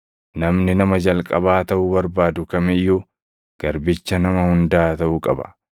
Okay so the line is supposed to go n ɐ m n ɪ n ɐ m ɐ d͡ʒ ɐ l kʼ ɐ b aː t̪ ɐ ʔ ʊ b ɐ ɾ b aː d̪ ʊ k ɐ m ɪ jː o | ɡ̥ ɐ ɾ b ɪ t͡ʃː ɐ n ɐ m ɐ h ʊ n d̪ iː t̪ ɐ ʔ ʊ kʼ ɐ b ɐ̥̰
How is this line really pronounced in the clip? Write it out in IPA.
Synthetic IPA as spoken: n ɐ m n ɪ n ɐ m ɐ d͡ʒ ɐ l kʼ ɐ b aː t̪ ɐ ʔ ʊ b ɐ ɾ b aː d̪ ʊ k ɐ m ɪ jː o | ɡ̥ ɐ ɾ b ɪ t͡ʃː ɐ n ɐ m ɐ h ʊ n d̪ aː t̪ ɐ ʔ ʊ kʼ ɐ b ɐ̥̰